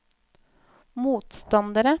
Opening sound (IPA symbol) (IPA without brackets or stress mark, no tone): m